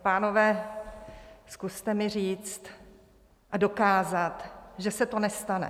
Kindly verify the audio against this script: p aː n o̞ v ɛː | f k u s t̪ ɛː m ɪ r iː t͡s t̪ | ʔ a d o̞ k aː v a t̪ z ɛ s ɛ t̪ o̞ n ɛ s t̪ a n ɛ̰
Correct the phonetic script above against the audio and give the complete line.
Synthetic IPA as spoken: p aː n o̞ v ɛː | s k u s t̪ ɛ m ɪ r iː t͡s t̪ | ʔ a d o̞ k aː z a t̪ ʒ ɛ s ɛ t̪ o̞ n ɛ s t̪ a n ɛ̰